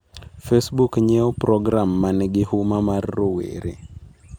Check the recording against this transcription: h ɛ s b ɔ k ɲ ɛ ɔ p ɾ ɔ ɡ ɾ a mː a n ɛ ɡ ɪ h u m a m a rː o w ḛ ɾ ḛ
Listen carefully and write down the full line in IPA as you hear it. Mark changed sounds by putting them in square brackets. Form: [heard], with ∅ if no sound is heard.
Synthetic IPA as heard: [f] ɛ s b [u] k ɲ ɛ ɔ p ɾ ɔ ɡ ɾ a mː a n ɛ ɡ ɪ h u m a m a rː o w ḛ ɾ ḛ